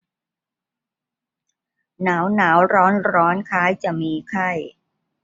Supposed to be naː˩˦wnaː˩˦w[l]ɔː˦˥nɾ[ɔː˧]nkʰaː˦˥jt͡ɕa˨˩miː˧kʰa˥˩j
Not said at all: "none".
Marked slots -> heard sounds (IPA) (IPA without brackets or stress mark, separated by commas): ɾ, ɔː˦˥